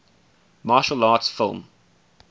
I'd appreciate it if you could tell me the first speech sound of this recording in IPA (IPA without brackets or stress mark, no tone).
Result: m